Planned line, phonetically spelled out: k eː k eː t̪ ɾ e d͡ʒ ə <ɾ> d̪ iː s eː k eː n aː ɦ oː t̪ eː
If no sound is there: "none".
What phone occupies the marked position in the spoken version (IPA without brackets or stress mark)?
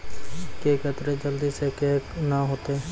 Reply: l